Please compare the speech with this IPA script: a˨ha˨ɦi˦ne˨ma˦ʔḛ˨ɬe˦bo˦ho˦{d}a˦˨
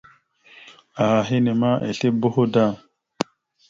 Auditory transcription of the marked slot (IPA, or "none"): d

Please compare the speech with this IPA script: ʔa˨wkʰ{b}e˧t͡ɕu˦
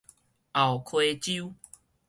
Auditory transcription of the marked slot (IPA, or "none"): w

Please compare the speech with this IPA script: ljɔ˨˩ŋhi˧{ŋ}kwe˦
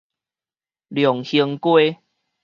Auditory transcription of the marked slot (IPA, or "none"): ŋ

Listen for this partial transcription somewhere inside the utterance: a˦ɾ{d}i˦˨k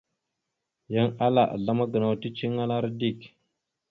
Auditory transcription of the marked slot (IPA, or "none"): d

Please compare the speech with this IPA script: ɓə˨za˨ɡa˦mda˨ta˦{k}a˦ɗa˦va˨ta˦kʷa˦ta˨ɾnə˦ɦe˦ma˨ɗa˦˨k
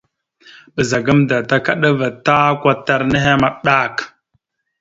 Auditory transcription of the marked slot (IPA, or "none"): k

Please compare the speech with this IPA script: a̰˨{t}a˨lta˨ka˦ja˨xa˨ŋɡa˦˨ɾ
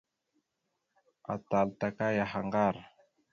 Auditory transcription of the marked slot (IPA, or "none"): t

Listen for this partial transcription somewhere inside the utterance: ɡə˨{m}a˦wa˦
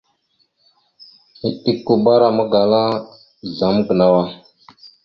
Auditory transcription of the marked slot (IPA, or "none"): n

